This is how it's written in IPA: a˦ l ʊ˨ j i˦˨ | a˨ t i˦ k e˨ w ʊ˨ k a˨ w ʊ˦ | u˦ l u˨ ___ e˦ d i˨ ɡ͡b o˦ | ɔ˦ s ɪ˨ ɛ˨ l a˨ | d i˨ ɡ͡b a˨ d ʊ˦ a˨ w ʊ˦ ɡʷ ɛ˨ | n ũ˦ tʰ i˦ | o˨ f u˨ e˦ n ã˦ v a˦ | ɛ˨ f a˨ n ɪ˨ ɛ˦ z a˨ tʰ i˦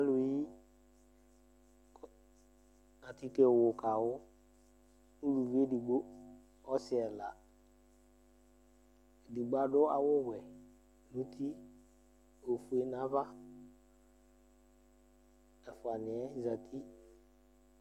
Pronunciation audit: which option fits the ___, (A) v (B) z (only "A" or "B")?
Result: A